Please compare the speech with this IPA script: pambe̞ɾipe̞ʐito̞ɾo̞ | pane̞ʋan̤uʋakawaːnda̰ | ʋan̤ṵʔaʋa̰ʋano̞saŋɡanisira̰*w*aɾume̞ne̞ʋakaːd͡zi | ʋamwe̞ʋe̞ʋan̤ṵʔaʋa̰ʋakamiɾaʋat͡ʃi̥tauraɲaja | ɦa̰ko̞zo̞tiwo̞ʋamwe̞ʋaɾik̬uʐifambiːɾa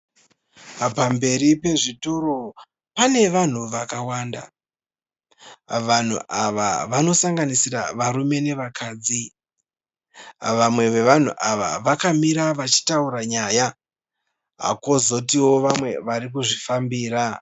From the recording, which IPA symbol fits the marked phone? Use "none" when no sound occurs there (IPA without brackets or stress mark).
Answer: ʋ